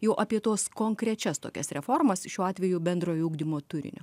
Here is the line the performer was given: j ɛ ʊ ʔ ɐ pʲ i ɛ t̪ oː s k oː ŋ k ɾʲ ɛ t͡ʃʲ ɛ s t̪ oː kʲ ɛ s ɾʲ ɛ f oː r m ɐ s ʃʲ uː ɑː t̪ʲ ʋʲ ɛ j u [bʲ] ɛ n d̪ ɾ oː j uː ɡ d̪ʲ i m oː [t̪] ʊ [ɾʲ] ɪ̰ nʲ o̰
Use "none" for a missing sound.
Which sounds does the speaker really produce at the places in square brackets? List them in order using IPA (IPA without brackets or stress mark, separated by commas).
bʲ, t̪, ɾʲ